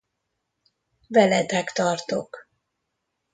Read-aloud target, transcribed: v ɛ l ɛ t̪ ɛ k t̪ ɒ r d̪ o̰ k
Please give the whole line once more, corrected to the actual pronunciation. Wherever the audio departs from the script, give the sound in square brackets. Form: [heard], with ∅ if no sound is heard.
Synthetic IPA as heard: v ɛ l ɛ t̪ ɛ k t̪ ɒ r [t̪] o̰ k